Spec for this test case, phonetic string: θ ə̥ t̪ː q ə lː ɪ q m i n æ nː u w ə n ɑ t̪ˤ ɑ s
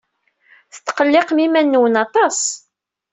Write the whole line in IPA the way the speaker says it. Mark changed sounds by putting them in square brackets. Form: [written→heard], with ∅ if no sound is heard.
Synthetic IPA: θ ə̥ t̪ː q ə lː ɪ q m i [n→m] æ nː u w ə n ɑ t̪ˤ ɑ s